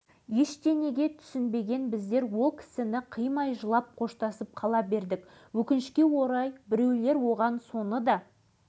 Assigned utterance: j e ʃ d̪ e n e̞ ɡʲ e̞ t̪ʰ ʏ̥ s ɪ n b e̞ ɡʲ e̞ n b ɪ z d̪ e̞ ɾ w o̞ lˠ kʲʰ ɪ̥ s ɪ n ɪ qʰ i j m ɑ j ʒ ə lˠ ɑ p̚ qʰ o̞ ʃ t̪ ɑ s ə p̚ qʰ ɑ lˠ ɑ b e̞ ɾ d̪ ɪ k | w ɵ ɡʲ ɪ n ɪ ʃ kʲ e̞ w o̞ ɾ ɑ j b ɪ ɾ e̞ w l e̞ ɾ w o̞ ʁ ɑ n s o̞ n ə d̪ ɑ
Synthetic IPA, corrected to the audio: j e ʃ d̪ e n e̞ ɡʲ e̞ t̪ʰ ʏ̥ s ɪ n b e̞ ɡʲ e̞ n b ɪ z d̪ e̞ ɾ w o̞ lˠ kʲʰ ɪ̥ s ɪ n ɪ qʰ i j m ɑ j ʒ ə lˠ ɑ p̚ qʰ o̞ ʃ t̪ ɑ s ə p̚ qʰ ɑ lˠ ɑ b e̞ ɾ d̪ ɪ k | w ɵ kʲ ɪ n ɪ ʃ kʲ e̞ w o̞ ɾ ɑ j b ɪ ɾ e̞ w l e̞ ɾ w o̞ ʁ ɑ n s o̞ n ə d̪ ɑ